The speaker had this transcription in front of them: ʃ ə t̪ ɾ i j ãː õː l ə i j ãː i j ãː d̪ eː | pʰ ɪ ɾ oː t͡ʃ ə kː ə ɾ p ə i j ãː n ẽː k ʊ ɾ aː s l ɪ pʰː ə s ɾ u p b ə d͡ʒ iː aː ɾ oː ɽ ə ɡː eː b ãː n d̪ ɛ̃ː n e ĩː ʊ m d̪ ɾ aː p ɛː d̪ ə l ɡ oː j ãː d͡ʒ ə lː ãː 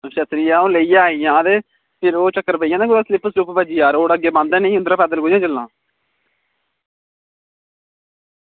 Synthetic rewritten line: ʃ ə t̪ ɾ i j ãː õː l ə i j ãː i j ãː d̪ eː | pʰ ɪ ɾ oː t͡ʃ ə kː ə ɾ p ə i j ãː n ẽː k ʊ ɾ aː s l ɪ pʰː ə s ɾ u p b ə d͡ʒ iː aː ɾ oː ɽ ə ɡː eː b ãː n d̪ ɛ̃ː n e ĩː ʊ n d̪ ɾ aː p ɛː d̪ ə l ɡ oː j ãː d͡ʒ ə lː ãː

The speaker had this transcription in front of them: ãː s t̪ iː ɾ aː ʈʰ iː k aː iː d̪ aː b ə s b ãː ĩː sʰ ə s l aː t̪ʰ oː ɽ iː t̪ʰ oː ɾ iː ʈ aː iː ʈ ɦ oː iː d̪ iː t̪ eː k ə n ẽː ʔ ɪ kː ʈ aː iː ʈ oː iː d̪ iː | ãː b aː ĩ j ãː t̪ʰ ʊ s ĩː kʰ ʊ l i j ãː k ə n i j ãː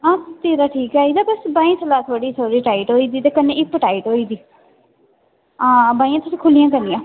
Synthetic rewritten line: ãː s t̪ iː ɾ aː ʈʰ iː k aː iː d̪ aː b ə s b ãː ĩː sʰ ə l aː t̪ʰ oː ɽ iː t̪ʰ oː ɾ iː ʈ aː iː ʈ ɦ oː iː d̪ iː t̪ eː k ə n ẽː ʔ ɪ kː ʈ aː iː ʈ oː iː d̪ iː | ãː b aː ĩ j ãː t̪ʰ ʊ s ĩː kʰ ʊ l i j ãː k ə n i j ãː

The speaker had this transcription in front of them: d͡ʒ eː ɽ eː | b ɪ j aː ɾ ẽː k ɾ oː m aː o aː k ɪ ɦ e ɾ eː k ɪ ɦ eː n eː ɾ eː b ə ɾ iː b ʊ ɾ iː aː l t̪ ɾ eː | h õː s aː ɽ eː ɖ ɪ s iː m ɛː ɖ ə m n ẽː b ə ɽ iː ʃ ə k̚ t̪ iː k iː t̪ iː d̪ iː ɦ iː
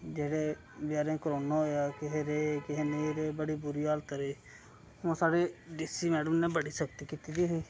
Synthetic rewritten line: d͡ʒ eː ɽ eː | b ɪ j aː ɾ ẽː k ɾ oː n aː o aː k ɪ ɦ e ɾ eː k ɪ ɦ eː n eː ɾ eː b ə ɽ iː b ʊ ɾ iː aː l t̪ ɾ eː | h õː s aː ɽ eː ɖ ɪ s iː m ɛː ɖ ə m n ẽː b ə ɽ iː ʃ ə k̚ t̪ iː k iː t̪ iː d̪ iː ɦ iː

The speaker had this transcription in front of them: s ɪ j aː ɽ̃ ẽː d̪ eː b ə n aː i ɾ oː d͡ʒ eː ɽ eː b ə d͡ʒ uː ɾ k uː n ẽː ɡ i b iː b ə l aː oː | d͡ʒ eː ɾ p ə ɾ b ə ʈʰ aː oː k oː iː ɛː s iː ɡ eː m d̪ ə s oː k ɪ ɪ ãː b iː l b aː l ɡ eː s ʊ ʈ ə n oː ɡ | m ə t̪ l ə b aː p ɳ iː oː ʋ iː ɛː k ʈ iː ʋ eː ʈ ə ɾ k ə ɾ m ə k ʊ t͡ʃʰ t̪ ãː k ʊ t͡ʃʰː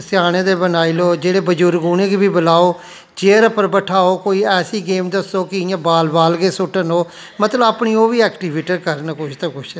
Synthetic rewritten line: s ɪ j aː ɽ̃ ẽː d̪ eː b ə n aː i l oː d͡ʒ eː ɽ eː b ə d͡ʒ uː ɾ ɡ uː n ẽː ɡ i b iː b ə l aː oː | d͡ʒ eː ɾ p ə ɾ b ə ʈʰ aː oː k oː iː ɛː s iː ɡ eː m d̪ ə s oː k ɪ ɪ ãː b aː l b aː l ɡ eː s ʊ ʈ ə n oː | m ə t̪ l ə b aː p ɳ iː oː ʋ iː ɛː k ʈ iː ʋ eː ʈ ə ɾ k ə ɾ n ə k ʊ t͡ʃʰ t̪ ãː k ʊ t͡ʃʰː

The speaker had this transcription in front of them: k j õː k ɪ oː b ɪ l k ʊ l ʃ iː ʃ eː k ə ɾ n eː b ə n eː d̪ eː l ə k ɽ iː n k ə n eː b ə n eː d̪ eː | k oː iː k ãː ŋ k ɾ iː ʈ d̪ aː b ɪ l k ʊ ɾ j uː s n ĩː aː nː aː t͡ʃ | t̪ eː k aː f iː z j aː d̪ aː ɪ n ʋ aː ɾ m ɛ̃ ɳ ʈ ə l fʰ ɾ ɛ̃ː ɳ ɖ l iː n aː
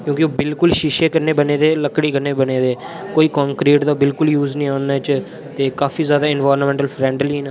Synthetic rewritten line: k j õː k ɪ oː b ɪ l k ʊ l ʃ iː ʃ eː k ə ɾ n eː b ə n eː d̪ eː l ə k ɽ iː k ə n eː b ə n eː d̪ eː | k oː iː k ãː ŋ k ɾ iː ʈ d̪ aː b ɪ l k ʊ l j uː z n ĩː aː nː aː t͡ʃ | t̪ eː k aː f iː z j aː d̪ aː ɪ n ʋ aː ɾ m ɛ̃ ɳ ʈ ə l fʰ ɾ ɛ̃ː ɳ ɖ l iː n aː

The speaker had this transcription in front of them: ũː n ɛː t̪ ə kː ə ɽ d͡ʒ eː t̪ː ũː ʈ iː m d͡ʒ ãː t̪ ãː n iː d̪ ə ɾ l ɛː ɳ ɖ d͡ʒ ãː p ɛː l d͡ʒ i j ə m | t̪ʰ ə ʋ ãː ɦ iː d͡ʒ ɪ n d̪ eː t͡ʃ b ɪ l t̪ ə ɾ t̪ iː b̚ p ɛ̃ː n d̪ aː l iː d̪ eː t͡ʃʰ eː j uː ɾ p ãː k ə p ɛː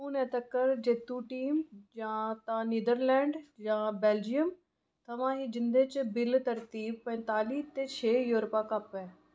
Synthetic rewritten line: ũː n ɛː t̪ ə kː ə ɾ d͡ʒ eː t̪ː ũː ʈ iː m d͡ʒ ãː t̪ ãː n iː d̪ ə ɾ l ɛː ɳ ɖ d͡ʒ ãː b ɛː l d͡ʒ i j ə m | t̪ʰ ə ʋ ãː ɦ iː d͡ʒ ɪ n d̪ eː t͡ʃ b ɪ l t̪ ə ɾ t̪ iː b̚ p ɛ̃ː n t̪ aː l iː t̪ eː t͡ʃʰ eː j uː ɾ p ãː k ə p ɛː

